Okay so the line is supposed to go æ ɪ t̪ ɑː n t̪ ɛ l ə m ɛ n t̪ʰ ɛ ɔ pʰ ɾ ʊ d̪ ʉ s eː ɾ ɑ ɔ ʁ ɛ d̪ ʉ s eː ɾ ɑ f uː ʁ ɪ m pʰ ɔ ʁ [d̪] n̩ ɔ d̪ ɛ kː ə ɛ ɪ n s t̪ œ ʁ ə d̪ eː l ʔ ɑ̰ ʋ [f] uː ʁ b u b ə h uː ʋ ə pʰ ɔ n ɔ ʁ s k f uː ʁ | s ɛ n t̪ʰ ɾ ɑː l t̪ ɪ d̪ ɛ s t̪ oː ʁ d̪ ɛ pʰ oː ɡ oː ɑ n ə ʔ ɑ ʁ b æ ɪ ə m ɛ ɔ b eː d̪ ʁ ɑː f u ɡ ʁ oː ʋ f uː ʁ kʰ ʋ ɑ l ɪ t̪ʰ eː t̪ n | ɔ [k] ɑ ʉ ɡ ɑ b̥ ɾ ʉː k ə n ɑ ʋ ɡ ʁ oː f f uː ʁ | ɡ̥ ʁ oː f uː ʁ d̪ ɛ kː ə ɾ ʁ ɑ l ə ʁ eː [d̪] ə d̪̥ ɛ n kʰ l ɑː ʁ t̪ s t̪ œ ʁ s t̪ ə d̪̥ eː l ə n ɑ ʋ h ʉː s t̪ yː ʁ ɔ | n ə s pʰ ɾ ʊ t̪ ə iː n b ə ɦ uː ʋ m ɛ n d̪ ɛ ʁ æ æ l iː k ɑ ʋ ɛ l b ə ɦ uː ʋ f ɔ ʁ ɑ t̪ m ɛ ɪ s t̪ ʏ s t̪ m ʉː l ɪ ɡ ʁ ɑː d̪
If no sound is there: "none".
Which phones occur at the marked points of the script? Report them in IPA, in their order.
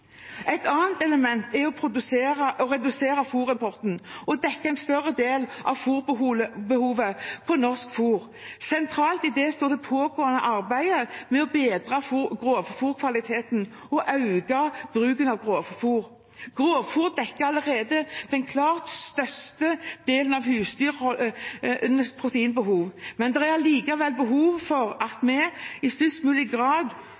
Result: t̪, f, ʔ, d̪

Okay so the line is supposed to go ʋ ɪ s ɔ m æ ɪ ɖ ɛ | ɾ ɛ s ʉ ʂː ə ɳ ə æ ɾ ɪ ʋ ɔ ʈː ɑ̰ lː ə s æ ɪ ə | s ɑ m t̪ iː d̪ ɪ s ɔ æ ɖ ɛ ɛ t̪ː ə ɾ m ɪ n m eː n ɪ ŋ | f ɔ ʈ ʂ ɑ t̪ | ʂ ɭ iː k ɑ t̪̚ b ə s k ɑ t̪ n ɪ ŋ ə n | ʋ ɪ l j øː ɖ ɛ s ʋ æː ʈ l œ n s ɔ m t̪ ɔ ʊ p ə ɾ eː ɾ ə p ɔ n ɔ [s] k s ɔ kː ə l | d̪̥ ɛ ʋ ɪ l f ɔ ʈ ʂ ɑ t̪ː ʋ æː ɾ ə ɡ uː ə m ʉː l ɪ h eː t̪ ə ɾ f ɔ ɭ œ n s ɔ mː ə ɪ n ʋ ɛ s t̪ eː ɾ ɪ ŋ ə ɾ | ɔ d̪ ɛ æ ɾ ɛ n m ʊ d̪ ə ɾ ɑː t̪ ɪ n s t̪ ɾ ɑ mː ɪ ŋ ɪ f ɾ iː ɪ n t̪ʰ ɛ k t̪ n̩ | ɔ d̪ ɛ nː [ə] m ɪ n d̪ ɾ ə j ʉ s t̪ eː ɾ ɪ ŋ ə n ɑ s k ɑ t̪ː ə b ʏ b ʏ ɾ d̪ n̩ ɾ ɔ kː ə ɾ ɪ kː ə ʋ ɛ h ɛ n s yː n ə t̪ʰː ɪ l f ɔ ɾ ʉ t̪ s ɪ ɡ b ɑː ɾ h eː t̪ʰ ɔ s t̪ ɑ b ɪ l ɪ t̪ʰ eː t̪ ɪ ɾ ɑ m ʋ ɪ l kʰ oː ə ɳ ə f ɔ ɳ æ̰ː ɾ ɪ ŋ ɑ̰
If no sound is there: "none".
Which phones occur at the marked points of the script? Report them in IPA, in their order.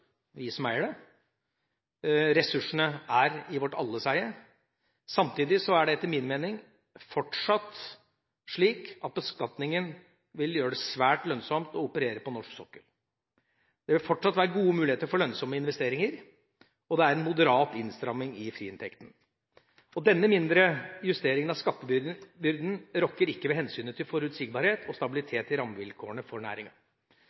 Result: ʂ, ə

